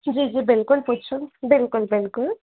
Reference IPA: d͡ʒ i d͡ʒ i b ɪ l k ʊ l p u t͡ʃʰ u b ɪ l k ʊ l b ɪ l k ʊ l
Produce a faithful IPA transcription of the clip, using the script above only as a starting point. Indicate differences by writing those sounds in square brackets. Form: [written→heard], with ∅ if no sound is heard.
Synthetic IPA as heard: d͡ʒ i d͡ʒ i b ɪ l k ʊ l p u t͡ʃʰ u b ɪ l k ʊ l b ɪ l k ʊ l